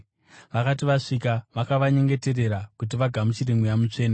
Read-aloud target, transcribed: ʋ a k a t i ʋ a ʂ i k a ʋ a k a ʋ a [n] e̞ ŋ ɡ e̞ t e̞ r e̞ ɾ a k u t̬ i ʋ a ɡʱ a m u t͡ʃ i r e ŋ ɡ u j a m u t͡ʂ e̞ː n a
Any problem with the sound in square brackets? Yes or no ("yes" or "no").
yes